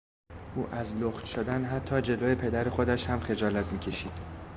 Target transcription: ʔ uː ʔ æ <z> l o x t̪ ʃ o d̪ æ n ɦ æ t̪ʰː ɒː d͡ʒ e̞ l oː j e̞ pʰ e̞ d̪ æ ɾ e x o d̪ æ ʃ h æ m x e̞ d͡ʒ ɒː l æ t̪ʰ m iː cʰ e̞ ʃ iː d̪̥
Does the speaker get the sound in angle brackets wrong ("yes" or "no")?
no